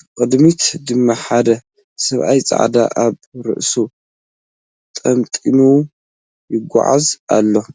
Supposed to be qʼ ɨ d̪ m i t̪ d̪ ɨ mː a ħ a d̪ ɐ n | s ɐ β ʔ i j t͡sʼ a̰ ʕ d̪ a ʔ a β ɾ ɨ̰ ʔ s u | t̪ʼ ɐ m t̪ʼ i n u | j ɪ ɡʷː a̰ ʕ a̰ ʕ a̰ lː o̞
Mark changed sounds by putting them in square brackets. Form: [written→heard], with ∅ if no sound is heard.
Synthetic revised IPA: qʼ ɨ d̪ m i t̪ d̪ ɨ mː a ħ a d̪ ɐ [n→∅] | s ɐ β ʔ [i→a] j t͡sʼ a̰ ʕ d̪ a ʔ a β ɾ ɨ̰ ʔ s u | t̪ʼ ɐ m t̪ʼ i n u | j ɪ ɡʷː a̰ ʕ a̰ [ʕ→z] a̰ lː o̞